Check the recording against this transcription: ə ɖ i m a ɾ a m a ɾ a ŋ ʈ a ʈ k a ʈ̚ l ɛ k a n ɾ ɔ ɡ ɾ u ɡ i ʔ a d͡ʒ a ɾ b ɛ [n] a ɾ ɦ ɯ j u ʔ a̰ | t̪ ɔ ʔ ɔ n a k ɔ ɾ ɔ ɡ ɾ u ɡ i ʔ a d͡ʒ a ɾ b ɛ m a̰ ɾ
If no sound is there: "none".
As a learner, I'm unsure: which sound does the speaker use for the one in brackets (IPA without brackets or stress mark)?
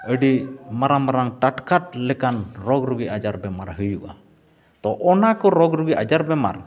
m